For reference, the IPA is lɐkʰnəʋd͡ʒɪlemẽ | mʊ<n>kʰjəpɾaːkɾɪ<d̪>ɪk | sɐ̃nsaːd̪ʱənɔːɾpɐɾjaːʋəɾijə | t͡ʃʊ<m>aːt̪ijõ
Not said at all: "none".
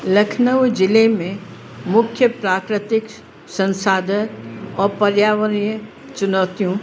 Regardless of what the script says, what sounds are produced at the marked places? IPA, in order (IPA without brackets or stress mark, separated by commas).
none, t̪, n